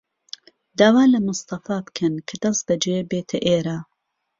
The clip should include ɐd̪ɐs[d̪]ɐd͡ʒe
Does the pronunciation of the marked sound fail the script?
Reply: no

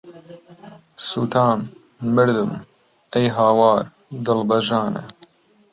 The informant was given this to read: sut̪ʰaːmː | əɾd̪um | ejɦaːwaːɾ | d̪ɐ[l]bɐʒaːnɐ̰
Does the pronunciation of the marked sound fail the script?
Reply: no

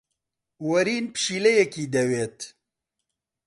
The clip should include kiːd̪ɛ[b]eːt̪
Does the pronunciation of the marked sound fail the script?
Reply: yes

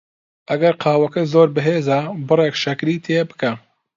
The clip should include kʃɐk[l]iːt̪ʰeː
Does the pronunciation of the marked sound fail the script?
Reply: yes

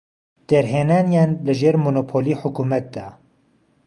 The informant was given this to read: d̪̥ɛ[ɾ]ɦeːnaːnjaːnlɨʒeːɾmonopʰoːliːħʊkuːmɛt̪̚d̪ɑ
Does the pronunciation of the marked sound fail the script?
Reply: no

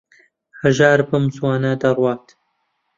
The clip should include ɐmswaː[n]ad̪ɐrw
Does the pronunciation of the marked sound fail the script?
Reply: no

